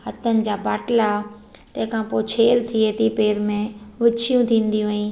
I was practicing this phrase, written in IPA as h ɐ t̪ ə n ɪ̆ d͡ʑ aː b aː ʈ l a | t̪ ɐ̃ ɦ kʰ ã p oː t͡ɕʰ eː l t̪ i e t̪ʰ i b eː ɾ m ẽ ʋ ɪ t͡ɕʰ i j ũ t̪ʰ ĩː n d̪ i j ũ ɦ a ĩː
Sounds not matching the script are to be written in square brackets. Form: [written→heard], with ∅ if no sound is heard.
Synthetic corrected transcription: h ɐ t̪ ə n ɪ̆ d͡ʑ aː b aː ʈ l a | t̪ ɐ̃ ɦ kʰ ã p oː t͡ɕʰ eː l [t̪→t̪ʰ] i e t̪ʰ i [b→p] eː ɾ m ẽ ʋ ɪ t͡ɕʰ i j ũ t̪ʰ ĩː n d̪ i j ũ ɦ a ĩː